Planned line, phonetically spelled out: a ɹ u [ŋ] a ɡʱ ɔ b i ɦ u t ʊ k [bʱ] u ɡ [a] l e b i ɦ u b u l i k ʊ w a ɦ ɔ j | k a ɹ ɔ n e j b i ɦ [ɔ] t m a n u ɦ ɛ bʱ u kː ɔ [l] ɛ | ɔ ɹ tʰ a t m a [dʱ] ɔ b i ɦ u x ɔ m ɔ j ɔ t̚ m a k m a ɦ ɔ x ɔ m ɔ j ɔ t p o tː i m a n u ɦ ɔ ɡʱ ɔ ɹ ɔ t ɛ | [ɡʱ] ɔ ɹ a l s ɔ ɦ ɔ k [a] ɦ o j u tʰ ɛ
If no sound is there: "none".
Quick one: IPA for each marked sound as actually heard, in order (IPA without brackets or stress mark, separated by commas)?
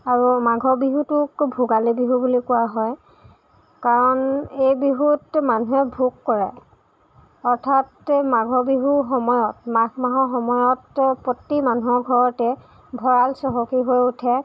m, bʱ, a, u, ɹ, ɡʱ, bʱ, i